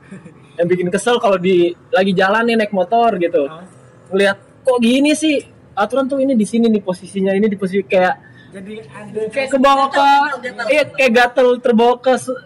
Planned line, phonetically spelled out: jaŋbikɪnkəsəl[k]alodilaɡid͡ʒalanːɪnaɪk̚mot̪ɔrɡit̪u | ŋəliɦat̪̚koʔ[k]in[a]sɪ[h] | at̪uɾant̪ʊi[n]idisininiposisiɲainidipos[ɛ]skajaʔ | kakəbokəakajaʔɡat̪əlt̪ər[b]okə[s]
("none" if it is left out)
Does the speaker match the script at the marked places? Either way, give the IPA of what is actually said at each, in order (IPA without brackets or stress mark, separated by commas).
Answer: k, ɡ, i, h, n, i, b, s